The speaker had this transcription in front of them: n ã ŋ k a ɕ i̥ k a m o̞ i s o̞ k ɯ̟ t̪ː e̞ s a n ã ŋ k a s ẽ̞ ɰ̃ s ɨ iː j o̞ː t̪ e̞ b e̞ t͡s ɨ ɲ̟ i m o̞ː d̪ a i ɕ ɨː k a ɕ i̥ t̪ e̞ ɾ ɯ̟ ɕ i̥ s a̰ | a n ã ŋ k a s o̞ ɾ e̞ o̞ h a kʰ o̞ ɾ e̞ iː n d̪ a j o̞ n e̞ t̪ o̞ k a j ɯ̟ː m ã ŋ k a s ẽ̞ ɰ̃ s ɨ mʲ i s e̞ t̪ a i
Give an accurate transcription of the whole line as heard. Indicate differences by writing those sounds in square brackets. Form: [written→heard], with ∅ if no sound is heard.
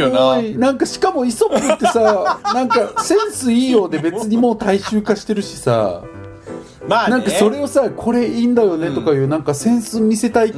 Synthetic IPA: n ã ŋ k a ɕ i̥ k a m o̞ i s o̞ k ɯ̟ t̪ː e̞ s a n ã ŋ k a s ẽ̞ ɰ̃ s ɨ iː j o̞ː [t̪→d̪] e̞ b e̞ t͡s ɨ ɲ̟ i m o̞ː [d̪→t̪] a i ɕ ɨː k a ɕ i̥ t̪ e̞ ɾ ɯ̟ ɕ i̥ s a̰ | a n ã ŋ k a s o̞ ɾ e̞ o̞ [h→s] a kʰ o̞ ɾ e̞ iː n d̪ a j o̞ n e̞ t̪ o̞ k a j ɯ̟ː [m→n] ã ŋ k a s ẽ̞ ɰ̃ s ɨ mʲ i s e̞ t̪ a i